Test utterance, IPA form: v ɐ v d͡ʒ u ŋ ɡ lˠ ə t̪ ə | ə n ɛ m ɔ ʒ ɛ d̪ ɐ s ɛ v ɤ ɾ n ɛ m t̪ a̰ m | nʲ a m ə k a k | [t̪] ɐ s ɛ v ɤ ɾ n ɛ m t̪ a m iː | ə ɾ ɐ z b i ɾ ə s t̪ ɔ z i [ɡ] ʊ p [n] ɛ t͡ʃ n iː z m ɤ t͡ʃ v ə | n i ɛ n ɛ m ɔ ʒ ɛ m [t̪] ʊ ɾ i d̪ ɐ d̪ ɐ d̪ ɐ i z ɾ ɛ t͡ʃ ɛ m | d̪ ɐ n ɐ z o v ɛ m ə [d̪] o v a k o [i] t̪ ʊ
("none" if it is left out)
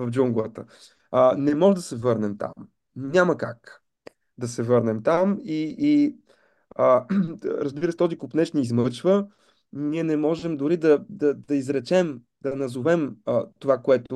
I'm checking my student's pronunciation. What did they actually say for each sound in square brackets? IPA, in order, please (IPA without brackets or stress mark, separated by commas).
d̪, k, n, d̪, t̪, ɛ